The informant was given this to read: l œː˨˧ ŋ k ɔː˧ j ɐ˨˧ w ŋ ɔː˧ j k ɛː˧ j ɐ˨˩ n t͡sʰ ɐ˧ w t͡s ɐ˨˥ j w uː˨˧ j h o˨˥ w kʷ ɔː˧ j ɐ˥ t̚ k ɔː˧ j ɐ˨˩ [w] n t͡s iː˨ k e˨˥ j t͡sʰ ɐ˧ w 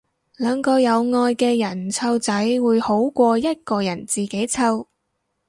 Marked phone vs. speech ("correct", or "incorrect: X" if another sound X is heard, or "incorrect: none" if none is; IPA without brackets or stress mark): incorrect: none